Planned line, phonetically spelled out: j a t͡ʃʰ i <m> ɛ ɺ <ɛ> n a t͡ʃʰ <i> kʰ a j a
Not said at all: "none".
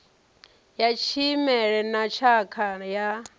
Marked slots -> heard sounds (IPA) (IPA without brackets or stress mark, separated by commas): m, ɛ, a